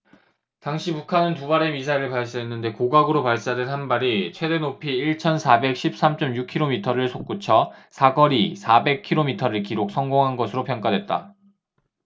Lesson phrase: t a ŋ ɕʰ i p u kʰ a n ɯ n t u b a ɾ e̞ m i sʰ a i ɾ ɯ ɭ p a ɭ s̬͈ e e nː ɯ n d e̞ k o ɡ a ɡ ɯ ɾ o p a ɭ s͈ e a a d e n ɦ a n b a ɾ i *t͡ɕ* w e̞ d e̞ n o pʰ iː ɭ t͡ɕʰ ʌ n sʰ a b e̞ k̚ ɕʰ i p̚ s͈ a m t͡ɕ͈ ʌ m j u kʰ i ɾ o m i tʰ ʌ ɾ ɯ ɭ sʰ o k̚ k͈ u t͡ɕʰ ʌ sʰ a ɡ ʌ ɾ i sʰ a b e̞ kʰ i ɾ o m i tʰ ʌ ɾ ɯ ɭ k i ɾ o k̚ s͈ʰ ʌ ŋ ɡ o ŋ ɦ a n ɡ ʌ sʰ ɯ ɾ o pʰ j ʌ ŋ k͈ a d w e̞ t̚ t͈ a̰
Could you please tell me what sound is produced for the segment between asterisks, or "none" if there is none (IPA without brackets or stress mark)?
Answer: t͡ɕʰ